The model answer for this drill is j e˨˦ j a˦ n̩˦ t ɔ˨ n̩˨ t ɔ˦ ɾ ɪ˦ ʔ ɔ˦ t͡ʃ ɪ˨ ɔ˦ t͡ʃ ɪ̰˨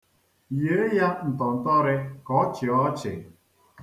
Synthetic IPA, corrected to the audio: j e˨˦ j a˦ n̩˨ t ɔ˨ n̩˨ t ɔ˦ ɾ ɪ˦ k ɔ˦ t͡ʃ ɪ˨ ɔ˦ t͡ʃ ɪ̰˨